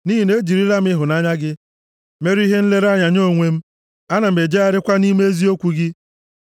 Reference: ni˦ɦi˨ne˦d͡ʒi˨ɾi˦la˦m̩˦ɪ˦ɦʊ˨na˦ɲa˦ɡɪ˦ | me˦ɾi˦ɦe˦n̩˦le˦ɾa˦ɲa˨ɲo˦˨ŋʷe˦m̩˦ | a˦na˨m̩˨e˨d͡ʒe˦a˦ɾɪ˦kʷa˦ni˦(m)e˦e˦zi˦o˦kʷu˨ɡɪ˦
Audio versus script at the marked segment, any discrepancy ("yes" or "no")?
no